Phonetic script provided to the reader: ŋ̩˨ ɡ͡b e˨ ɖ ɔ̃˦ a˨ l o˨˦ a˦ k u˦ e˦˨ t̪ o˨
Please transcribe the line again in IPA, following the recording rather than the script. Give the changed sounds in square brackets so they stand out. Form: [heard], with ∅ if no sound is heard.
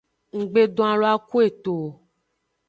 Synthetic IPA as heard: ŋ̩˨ ɡ͡b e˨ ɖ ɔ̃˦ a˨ l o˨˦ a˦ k u˦ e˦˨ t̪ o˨

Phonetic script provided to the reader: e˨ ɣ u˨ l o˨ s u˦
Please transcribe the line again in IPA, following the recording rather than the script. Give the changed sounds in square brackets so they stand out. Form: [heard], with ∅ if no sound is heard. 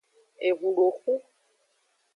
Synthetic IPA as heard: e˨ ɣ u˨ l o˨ [x] u˦

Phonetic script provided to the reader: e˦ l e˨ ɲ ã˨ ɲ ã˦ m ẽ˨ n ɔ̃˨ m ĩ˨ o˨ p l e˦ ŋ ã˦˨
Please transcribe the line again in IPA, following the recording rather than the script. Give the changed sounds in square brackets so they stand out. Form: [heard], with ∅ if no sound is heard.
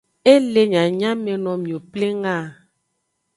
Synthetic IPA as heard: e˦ l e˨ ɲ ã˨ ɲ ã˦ m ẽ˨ n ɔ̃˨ m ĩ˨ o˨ p l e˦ ŋ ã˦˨

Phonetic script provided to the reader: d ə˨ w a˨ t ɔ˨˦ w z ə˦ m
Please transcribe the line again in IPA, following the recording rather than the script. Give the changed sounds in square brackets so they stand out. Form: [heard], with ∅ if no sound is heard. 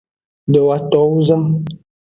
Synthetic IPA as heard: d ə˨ w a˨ t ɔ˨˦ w z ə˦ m

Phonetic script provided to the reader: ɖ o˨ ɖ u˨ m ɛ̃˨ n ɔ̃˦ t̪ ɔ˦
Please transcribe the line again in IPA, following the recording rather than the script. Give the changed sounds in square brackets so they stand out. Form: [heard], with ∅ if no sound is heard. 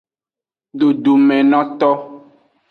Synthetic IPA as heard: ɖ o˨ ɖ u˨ m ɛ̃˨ n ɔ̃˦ t̪ ɔ˦

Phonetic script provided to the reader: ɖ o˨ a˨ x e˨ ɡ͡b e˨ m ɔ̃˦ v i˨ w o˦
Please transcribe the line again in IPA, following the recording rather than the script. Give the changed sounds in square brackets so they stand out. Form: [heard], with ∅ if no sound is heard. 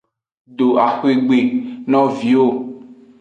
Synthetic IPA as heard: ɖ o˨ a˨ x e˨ ɡ͡b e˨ [n] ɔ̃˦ v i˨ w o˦

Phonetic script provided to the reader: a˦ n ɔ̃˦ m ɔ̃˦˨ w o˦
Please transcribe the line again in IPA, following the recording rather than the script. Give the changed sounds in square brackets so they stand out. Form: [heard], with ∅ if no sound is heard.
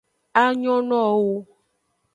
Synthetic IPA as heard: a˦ [ɲ] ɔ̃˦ [n] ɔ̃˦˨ w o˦

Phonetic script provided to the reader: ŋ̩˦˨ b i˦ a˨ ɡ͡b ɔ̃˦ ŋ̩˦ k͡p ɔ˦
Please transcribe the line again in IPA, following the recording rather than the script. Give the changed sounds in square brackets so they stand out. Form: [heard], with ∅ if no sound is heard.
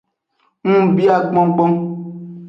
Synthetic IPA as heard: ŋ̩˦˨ b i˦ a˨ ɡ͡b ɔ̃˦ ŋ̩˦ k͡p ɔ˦

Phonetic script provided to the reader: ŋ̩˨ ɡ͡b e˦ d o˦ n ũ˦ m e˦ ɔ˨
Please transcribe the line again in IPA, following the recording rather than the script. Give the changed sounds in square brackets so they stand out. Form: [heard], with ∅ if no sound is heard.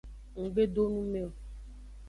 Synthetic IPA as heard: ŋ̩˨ ɡ͡b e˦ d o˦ n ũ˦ m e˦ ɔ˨

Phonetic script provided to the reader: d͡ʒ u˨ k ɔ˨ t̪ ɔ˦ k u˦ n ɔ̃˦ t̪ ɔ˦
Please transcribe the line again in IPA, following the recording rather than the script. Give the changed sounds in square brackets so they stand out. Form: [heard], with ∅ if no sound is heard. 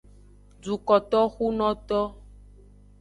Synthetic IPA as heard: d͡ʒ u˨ k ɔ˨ t̪ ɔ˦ [x] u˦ n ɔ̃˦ t̪ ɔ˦

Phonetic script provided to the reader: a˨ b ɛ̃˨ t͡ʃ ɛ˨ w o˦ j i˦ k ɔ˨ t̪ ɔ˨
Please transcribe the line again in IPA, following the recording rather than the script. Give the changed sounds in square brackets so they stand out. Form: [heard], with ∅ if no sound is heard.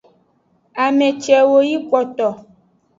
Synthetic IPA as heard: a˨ [m] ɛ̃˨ t͡ʃ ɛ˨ w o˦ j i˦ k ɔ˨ t̪ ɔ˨

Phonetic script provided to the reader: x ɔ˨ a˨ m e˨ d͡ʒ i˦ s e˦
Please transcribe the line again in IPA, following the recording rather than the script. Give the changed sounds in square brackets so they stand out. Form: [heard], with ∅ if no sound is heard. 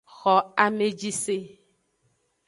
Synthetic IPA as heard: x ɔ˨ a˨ m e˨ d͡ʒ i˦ s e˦

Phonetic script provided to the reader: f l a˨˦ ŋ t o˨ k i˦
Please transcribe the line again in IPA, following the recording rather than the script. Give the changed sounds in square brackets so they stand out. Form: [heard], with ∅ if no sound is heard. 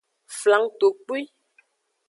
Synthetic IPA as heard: f l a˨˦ ŋ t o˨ [k͡p] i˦

